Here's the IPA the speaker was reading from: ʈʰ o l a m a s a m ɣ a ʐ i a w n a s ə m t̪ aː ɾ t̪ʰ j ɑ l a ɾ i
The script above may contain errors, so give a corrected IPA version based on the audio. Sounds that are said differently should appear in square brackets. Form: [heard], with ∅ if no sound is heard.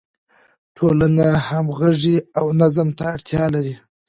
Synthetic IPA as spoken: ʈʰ o l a [n] a [h] a m ɣ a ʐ i a w n a [z] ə m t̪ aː [ɽ] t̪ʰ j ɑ l a ɾ i